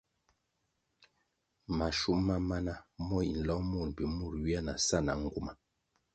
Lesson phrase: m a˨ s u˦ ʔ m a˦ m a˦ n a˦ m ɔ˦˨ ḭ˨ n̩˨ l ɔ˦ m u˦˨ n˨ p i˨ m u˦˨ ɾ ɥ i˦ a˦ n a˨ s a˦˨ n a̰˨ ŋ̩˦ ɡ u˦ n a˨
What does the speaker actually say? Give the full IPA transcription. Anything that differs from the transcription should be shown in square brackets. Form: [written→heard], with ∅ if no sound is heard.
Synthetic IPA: m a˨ [s→ʃ] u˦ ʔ m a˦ m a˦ n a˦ m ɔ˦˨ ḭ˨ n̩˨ l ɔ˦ m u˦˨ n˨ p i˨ m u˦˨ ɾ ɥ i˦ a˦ n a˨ s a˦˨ n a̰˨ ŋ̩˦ ɡ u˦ [n→m] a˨